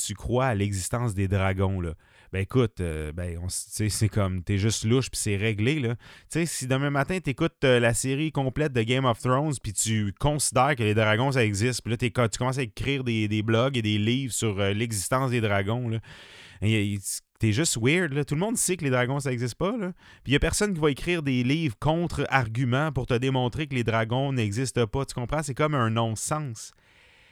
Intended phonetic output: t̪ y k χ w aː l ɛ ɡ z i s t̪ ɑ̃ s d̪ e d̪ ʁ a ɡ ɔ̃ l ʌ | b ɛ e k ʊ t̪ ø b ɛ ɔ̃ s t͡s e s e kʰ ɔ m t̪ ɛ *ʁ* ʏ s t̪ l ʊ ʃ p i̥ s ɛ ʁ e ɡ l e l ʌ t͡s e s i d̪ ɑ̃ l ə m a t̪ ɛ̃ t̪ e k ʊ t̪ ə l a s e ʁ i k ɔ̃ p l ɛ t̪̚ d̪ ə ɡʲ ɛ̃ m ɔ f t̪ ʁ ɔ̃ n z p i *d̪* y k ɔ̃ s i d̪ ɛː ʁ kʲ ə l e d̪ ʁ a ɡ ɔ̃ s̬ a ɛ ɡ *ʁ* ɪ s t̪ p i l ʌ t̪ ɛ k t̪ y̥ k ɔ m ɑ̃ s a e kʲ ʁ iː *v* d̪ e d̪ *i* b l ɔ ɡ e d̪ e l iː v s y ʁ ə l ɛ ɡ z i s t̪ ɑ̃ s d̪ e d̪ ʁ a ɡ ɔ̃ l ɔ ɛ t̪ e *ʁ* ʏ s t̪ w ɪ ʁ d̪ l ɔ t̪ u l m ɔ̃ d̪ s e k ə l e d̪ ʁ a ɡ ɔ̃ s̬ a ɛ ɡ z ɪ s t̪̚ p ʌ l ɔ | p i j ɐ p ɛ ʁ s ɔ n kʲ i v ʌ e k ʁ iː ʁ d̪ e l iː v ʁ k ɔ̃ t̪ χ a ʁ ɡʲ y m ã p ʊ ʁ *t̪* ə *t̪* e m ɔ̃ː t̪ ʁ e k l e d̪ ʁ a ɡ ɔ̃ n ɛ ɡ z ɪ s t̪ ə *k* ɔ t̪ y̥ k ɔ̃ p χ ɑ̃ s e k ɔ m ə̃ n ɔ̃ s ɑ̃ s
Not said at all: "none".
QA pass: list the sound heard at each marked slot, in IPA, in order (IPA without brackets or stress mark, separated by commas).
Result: ʒ, t̪, z, ʁ, e, ʒ, t̪, d̪, p